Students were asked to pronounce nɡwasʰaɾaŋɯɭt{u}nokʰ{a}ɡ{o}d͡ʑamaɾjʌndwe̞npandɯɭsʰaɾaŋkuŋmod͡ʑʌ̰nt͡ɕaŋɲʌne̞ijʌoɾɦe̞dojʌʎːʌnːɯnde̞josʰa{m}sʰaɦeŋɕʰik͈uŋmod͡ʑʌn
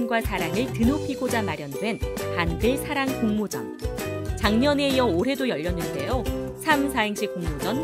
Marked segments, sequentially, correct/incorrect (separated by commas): incorrect, incorrect, correct, correct